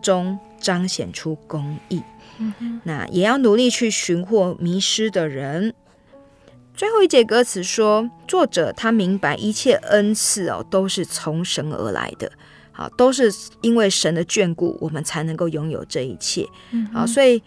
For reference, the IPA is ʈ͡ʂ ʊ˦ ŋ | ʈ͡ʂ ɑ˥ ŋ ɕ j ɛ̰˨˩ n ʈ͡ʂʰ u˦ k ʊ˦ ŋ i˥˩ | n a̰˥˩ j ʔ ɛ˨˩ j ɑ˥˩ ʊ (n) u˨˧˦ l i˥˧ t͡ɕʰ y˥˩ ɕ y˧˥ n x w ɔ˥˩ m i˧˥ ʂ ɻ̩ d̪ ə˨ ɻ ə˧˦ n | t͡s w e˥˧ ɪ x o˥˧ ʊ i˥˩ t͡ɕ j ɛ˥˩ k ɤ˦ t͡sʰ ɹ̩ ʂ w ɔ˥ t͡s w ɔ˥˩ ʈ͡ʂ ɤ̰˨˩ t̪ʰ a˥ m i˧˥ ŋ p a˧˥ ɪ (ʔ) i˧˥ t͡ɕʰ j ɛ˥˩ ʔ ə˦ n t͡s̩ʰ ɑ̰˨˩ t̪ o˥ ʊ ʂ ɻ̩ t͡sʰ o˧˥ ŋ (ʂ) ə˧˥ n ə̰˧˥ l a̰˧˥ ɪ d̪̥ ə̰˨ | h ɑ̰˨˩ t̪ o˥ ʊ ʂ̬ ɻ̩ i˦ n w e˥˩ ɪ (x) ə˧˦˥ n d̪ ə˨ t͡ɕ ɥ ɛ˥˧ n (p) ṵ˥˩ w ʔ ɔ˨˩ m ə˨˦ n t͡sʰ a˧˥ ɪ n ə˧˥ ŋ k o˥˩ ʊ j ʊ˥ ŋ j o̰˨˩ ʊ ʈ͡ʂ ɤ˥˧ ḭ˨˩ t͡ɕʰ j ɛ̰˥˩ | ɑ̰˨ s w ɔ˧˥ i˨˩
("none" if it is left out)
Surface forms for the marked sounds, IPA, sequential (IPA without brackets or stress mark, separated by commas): n, ʔ, ʂ, ʂ, k